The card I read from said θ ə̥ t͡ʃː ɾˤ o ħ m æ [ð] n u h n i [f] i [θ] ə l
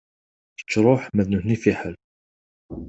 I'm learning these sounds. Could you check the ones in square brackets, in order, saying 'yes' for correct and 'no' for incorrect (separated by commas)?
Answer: yes, yes, no